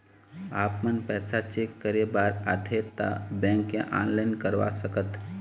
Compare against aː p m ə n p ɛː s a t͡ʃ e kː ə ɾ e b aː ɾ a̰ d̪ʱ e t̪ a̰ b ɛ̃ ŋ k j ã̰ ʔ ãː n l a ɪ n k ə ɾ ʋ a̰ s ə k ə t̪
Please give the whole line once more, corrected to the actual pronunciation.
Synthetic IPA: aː p m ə n p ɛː s a t͡ʃ e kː ə ɾ e b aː ɾ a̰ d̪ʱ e t̪ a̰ b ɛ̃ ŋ k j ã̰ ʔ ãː n l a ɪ n k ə ɾ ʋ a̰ s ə k ə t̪